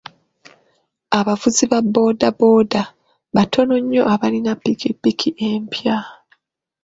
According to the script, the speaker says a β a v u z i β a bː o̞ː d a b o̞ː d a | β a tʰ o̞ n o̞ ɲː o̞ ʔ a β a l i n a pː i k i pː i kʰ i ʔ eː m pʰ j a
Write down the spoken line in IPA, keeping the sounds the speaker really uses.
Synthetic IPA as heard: a β a v u z i β a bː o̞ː d a b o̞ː d a | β a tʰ o̞ n o̞ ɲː o̞ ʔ a β a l i n a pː i k i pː i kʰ i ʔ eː m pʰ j a